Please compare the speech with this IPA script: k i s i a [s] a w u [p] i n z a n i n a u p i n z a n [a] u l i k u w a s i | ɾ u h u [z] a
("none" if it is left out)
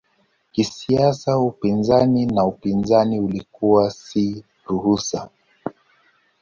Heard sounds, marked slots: s, p, i, s

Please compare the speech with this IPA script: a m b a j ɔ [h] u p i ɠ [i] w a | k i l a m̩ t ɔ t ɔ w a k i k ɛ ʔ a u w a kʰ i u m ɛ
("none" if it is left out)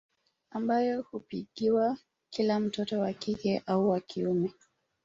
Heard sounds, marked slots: h, i

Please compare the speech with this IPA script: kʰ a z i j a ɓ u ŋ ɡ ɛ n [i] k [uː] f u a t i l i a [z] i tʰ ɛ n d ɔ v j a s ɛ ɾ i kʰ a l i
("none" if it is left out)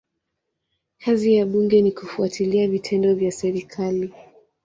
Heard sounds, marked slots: i, u, v

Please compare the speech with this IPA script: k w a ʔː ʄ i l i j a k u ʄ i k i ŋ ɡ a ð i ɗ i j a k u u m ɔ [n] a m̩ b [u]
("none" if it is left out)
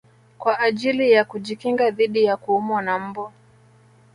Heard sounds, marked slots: n, ɔ

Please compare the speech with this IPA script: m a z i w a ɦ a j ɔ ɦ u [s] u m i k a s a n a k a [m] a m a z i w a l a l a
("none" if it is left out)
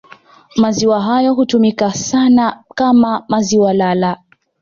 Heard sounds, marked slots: t, m

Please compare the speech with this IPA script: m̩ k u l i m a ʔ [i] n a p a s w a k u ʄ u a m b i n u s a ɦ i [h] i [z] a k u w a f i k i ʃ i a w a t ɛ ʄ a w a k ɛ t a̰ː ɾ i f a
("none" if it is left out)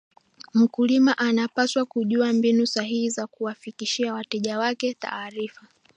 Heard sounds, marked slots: a, h, z

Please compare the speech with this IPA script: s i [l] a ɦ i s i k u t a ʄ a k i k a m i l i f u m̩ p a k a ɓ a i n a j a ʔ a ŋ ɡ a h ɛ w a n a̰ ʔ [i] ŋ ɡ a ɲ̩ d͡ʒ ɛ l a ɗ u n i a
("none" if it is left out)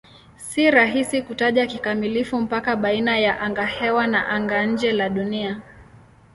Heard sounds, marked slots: ɾ, a

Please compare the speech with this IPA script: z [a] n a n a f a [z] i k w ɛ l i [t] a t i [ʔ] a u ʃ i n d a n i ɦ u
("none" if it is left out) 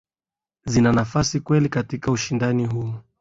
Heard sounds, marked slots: i, s, k, k

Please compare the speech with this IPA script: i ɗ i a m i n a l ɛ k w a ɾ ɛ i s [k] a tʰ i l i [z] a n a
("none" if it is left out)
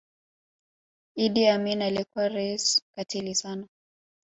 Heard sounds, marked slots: k, s

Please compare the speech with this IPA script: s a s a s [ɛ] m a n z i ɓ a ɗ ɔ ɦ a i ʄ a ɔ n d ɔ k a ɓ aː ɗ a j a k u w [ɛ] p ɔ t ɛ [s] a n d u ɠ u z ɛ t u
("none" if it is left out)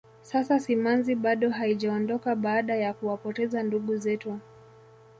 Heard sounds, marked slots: i, a, z

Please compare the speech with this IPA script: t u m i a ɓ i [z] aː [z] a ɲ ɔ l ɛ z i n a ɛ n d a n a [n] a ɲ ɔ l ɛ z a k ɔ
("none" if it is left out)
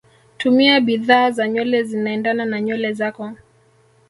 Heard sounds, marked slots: ð, z, n

